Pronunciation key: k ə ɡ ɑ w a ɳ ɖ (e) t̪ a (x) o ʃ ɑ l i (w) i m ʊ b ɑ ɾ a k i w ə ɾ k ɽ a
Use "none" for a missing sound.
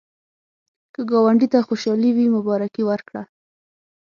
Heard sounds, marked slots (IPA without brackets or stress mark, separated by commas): i, x, w